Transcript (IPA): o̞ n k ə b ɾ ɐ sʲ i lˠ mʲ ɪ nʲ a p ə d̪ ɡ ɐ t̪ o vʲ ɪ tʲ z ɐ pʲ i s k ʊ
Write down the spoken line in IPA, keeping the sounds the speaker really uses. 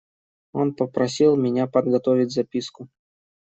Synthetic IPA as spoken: o̞ n p ə p ɾ ɐ sʲ i lˠ mʲ ɪ nʲ a p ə d̪ ɡ ɐ t̪ o vʲ ɪ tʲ z ɐ pʲ i s k ʊ